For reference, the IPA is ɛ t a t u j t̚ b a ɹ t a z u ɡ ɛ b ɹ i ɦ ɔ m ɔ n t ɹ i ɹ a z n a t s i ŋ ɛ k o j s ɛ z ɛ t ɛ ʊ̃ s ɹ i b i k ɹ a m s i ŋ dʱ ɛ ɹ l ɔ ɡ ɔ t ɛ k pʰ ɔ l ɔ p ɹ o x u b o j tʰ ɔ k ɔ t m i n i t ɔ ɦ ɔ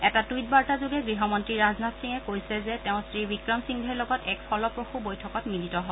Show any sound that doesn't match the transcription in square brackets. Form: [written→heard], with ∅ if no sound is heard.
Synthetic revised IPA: ɛ t a t u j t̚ b a ɹ t a z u ɡ ɛ [b→ɡ] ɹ i ɦ ɔ m ɔ n t ɹ i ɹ a z n a t s i ŋ ɛ k o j s ɛ z ɛ t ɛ ʊ̃ s ɹ i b i k ɹ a m s i ŋ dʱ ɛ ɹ l ɔ ɡ ɔ t ɛ k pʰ ɔ l ɔ p ɹ o x u b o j tʰ ɔ k ɔ t m i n i t ɔ ɦ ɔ